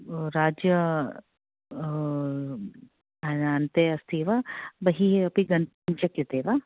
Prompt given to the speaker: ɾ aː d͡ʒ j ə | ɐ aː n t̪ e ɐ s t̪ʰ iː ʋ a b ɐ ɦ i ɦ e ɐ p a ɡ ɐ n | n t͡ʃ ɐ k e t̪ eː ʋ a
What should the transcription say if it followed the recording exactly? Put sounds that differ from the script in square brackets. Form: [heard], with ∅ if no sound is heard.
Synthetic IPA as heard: ɾ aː d͡ʒ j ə | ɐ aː n t̪ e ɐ s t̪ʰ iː ʋ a b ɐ ɦ i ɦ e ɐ p [i] ɡ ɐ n | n t͡ʃ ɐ k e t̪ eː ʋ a